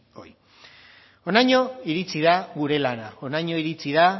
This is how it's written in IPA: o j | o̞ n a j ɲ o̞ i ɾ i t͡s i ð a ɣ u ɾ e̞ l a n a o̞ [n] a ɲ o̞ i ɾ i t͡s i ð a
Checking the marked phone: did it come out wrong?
no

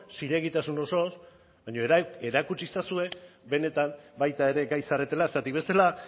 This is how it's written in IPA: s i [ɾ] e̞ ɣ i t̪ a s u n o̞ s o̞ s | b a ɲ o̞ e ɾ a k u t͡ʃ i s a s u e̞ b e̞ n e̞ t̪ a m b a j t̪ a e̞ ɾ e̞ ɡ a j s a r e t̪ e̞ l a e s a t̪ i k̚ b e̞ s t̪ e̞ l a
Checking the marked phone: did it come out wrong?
no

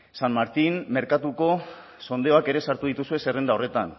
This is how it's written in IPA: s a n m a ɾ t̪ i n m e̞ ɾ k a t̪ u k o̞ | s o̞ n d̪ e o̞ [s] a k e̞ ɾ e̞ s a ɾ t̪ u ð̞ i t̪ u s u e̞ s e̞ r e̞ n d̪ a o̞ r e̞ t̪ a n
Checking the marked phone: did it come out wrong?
yes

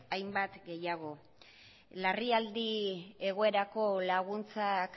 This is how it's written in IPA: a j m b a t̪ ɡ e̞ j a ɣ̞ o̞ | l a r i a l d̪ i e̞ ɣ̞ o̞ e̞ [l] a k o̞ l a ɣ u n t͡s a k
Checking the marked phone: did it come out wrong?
yes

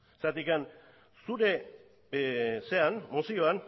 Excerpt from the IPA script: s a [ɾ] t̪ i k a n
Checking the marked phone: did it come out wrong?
yes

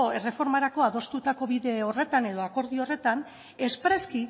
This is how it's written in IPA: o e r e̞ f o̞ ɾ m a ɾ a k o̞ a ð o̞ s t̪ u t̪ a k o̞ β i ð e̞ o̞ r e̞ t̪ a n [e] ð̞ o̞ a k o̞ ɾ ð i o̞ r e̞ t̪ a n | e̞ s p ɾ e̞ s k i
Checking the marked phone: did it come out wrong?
no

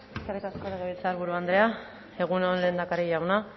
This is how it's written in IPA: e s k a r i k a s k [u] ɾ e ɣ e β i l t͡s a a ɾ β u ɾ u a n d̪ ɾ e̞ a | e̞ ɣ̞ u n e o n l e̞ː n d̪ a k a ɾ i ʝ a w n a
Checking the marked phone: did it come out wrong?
yes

